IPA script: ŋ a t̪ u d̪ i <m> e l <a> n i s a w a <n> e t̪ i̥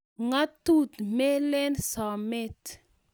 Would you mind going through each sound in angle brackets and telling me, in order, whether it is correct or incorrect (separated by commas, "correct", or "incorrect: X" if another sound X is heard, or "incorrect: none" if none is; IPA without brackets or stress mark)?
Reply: correct, incorrect: e, incorrect: m